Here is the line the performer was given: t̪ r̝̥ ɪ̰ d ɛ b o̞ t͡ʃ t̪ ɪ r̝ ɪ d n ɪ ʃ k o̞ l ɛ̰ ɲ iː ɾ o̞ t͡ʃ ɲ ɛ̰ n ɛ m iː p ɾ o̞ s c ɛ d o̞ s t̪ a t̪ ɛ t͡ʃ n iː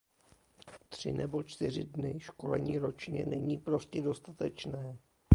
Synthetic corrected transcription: t̪ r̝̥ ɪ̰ n ɛ b o̞ t͡ʃ t̪ ɪ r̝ ɪ d n ɪ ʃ k o̞ l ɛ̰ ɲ iː ɾ o̞ t͡ʃ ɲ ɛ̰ n ɛ ɲ iː p ɾ o̞ s c ɛ d o̞ s t̪ a t̪ ɛ t͡ʃ n ɛː

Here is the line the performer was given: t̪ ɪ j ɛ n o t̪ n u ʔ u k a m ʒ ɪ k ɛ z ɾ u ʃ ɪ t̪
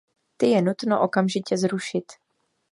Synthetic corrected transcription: t̪ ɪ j ɛ n u t̪ n o ʔ o k a m ʒ ɪ c ɛ z ɾ u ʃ ɪ t̪

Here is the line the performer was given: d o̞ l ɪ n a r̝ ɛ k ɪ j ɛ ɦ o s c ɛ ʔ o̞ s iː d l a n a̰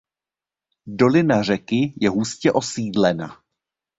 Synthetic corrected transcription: d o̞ l ɪ n a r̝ ɛ k ɪ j ɛ ɦ u s c ɛ ʔ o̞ s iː d l ɛ n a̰

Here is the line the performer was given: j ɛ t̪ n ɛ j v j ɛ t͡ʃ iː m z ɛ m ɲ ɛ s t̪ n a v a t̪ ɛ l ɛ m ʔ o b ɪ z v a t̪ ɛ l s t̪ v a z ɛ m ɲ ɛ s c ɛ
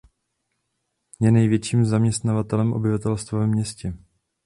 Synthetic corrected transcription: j ɛ n ɛ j v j ɛ t͡ʃ iː m z a m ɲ ɛ s t̪ n a v a t̪ ɛ l ɛ m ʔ o b ɪ v a t̪ ɛ l s t̪ v a v ɛ m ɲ ɛ s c ɛ

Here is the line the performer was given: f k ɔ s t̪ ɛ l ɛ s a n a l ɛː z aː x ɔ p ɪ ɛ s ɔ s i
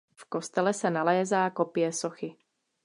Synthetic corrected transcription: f k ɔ s t̪ ɛ l ɛ s a n a l ɛː z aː k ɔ p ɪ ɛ s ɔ x i

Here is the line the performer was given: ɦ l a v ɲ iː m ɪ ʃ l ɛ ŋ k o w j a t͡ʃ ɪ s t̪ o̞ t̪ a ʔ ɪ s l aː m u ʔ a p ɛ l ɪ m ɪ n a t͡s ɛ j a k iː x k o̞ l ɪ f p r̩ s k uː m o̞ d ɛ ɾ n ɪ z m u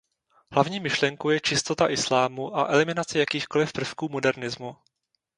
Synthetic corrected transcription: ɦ l a v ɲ iː m ɪ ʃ l ɛ ŋ k o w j ɛ t͡ʃ ɪ s t̪ o̞ t̪ a ʔ ɪ s l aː m u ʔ a ʔ ɛ l ɪ m ɪ n a t͡s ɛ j a k iː x k o̞ l ɪ f p r̩ f k uː m o̞ d ɛ ɾ n ɪ z m u

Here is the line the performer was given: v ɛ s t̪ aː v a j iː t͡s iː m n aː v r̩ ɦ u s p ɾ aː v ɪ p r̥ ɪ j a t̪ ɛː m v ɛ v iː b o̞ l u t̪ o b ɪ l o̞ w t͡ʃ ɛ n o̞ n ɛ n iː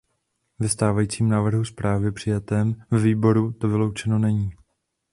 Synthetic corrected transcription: v ɛ s t̪ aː v a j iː t͡s iː m n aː v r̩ ɦ u s p ɾ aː v ɪ p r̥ ɪ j a t̪ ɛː m v ɛ v iː b o̞ ɾ u t̪ o v ɪ l o̞ w t͡ʃ ɛ n o̞ n ɛ ɲ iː

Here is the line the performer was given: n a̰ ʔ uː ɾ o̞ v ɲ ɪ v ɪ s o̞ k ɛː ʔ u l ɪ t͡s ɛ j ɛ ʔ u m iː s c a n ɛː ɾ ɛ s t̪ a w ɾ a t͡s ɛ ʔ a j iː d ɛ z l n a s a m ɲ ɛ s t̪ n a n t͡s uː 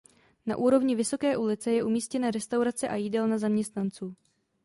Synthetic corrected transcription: n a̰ ʔ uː ɾ o̞ v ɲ ɪ v ɪ s o̞ k ɛː ʔ u l ɪ t͡s ɛ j ɛ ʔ u m iː s c ɛ n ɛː ɾ ɛ s t̪ a w ɾ a t͡s ɛ ʔ a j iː d ɛ l n a z a m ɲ ɛ s t̪ n a n t͡s uː

